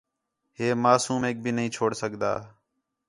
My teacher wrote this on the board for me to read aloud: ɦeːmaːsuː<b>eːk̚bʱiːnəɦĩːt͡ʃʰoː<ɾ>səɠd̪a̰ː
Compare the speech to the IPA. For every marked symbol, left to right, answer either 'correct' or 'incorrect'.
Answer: incorrect, incorrect

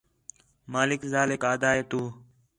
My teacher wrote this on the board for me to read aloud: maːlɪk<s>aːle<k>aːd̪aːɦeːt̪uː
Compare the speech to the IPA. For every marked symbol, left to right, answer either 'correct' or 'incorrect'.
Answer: incorrect, correct

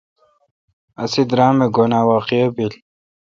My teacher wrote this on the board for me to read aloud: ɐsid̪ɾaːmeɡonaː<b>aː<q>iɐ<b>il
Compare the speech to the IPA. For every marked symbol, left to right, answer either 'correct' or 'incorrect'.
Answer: incorrect, correct, correct

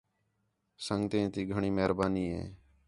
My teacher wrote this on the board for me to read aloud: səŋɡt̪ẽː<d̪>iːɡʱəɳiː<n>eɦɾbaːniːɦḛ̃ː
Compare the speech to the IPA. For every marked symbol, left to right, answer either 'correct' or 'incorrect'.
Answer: incorrect, incorrect

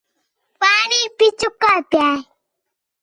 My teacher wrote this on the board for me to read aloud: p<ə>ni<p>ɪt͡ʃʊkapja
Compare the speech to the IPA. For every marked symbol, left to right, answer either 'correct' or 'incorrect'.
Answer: incorrect, correct

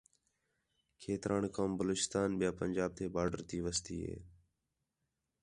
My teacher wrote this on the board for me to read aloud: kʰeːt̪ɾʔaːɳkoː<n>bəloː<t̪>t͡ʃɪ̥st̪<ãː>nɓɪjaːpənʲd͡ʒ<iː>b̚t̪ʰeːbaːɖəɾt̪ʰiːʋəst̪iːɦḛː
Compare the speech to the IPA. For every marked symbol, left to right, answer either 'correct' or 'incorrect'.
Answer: incorrect, incorrect, incorrect, incorrect

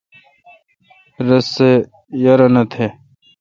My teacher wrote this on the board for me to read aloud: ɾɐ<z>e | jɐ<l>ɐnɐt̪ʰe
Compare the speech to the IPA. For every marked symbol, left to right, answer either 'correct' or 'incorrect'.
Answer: incorrect, incorrect

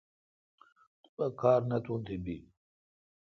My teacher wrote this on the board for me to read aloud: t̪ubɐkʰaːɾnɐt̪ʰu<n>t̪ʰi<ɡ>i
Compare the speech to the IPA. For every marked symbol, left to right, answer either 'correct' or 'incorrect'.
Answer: correct, incorrect

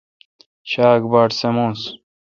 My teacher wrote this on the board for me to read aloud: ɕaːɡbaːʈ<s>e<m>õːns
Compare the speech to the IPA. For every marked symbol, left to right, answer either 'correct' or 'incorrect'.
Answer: correct, correct

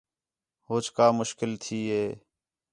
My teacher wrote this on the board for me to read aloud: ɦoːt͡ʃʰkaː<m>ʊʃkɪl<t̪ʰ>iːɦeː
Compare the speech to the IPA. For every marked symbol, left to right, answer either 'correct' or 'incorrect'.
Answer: correct, correct

